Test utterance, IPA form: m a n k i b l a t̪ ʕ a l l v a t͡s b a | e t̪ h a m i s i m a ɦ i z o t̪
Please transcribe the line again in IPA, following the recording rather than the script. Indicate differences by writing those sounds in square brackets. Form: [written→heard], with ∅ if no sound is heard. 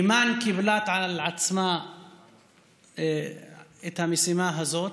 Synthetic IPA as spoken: m a n k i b l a t̪ ʕ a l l [v→ʕ] a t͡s [b→m] a | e t̪ h a m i s i m a ɦ [i→a] z o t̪